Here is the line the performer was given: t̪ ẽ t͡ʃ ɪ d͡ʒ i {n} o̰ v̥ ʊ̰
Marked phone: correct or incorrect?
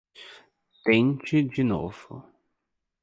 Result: correct